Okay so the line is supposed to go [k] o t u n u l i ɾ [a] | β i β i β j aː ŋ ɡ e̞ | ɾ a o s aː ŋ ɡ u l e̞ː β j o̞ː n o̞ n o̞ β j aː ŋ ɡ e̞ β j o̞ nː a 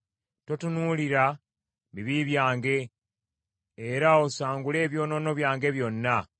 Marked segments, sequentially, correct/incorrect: incorrect: t, correct

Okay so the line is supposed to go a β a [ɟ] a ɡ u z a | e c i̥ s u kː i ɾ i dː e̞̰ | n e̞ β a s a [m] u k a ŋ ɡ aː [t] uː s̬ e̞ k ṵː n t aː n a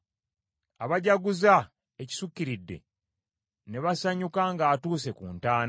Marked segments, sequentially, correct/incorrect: correct, incorrect: ɲ, correct

